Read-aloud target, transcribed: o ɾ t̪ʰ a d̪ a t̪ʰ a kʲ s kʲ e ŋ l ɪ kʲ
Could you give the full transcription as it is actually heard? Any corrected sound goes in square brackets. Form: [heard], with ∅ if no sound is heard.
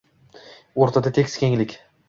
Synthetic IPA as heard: o ɾ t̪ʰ a d̪ a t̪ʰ [e] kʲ s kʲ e ŋ l ɪ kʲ